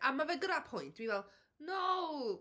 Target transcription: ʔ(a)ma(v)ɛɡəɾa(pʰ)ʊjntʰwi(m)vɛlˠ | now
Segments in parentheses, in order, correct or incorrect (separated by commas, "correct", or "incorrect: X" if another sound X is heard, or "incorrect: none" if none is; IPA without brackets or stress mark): correct, correct, correct, incorrect: none